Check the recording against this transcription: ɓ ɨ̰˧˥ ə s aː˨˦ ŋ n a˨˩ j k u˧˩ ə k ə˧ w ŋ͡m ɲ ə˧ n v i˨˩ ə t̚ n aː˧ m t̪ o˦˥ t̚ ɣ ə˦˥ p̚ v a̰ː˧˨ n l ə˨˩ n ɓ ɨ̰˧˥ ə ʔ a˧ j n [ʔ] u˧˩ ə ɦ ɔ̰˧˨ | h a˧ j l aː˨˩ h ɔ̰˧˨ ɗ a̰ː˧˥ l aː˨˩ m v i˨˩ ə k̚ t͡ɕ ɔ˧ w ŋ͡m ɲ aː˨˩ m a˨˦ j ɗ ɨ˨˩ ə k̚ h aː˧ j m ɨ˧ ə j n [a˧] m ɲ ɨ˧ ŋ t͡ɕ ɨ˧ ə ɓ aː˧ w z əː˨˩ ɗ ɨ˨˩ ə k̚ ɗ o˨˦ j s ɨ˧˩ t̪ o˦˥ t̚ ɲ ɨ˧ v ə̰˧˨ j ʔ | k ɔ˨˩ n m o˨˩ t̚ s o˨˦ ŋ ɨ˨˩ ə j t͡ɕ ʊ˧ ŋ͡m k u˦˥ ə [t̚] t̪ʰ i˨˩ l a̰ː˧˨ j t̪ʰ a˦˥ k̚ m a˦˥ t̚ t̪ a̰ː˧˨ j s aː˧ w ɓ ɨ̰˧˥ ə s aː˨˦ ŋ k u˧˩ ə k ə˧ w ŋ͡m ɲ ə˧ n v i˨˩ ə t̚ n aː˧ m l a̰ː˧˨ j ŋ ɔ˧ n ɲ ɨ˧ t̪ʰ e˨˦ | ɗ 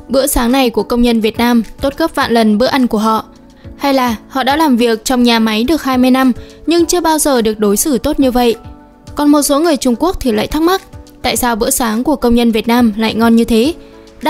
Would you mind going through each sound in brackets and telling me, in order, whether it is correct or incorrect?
incorrect: k, correct, incorrect: k̚

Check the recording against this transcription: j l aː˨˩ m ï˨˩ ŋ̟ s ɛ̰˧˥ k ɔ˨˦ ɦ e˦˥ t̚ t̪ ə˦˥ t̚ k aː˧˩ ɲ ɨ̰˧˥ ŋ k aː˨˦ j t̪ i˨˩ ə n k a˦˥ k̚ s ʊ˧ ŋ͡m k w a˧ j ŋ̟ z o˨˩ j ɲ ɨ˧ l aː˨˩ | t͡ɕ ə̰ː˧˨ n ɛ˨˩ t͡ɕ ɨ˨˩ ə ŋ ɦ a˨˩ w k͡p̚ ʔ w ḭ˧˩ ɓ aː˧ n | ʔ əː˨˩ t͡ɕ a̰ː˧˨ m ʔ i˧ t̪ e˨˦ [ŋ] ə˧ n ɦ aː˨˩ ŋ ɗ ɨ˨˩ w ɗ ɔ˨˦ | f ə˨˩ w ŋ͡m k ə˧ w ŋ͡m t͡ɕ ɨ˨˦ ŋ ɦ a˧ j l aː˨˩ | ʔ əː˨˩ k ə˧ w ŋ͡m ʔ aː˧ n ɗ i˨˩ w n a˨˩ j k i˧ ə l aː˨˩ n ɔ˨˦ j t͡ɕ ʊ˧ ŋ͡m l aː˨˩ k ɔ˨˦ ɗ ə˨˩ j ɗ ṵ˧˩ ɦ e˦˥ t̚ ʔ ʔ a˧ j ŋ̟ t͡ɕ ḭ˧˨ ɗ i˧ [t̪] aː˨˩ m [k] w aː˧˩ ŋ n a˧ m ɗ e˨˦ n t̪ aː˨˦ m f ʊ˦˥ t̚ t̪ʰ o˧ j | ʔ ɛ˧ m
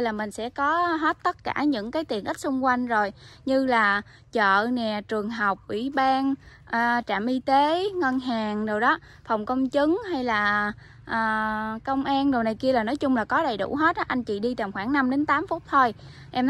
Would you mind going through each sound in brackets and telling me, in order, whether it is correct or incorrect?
correct, correct, incorrect: x

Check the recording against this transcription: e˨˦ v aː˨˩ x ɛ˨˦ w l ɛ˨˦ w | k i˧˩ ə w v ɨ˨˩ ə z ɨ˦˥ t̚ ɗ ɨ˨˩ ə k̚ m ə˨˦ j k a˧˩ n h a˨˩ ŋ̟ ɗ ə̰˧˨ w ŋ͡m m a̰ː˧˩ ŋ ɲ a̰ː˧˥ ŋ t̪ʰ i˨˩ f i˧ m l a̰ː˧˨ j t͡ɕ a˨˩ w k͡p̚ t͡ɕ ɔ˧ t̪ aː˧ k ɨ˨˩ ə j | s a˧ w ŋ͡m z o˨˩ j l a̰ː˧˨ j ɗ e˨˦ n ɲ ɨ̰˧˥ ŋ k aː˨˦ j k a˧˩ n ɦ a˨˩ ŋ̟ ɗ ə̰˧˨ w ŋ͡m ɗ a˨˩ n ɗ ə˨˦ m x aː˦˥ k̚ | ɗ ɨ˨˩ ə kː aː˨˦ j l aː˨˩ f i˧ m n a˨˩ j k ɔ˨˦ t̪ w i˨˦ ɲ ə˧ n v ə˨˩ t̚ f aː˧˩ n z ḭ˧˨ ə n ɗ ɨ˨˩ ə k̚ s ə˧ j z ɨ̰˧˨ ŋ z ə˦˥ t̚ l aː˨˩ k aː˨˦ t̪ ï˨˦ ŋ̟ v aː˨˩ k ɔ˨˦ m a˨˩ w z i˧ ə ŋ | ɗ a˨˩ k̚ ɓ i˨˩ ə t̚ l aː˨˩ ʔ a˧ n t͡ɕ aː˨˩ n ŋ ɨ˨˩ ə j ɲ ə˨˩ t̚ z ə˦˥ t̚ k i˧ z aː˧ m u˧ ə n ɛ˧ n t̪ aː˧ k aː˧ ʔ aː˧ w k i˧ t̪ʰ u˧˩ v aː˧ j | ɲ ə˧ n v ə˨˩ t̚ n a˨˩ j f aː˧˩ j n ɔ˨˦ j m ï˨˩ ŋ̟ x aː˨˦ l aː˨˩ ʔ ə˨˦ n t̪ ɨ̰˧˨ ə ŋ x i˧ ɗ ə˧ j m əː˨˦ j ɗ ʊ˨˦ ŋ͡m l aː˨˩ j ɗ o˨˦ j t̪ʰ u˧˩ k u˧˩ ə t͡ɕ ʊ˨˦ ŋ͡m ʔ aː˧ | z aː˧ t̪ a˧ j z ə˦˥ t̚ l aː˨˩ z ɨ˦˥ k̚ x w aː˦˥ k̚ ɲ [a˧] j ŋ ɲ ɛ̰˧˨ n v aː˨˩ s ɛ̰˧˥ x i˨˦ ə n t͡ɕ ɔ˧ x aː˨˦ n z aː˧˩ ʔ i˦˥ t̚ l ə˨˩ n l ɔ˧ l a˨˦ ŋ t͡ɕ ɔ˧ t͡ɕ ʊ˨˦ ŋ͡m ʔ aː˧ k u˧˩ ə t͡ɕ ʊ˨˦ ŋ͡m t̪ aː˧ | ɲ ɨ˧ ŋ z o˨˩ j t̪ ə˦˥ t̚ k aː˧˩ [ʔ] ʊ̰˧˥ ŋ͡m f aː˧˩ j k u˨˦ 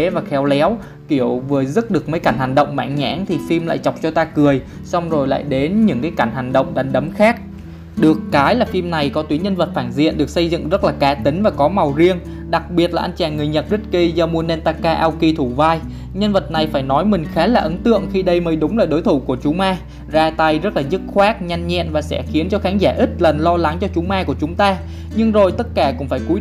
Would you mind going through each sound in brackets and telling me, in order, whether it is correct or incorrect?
correct, incorrect: k

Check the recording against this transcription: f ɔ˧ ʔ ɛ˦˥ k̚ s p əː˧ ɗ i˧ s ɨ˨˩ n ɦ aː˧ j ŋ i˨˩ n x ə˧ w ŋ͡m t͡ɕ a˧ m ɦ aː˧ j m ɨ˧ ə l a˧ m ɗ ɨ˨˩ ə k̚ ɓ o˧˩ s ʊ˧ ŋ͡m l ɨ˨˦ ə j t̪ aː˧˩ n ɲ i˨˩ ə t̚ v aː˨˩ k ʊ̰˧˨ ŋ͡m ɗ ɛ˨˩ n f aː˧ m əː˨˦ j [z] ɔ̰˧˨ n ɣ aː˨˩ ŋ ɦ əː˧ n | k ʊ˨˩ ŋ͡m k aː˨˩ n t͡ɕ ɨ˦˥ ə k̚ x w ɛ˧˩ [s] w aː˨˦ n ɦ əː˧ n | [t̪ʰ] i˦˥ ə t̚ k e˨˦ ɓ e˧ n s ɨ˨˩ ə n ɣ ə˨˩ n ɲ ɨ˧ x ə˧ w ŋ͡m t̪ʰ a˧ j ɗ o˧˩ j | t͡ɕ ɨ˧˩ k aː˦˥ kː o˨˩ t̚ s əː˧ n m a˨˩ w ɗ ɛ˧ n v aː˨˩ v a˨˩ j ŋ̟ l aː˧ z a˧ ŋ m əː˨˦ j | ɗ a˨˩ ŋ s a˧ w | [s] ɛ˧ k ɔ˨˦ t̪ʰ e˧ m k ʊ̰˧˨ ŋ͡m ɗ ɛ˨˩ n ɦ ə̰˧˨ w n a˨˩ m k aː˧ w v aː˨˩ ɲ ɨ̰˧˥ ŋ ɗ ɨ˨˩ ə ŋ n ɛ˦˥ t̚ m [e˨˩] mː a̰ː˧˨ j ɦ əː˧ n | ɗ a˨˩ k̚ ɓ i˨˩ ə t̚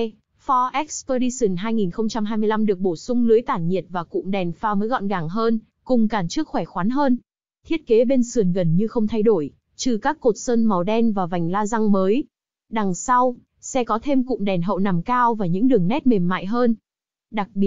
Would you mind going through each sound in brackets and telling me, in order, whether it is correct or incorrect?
incorrect: ɣ, incorrect: x, correct, correct, correct

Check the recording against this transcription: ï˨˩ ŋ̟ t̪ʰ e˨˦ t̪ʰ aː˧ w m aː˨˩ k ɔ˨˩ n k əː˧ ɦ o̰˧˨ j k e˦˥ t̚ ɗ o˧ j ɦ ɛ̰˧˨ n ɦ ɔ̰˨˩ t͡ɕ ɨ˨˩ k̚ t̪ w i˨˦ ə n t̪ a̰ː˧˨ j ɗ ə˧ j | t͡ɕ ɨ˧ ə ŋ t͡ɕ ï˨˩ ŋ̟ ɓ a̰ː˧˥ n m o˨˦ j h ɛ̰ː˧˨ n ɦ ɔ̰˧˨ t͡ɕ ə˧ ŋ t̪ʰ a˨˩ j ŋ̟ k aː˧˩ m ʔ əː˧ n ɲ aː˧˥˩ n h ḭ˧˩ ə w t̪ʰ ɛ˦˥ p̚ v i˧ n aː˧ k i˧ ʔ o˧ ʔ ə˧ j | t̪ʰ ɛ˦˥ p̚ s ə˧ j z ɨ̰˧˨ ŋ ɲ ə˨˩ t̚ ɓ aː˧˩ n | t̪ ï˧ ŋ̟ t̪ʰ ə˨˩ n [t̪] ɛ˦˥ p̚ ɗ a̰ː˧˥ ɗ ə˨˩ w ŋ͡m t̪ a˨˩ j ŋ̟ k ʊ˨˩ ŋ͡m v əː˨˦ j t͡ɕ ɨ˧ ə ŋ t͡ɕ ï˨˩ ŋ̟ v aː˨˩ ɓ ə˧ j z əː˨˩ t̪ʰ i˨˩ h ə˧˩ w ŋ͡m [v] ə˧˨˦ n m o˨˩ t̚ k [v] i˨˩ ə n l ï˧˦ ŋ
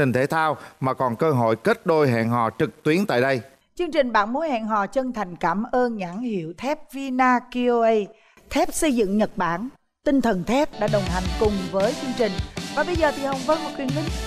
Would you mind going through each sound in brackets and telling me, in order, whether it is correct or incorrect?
incorrect: t̪ʰ, correct, incorrect: w

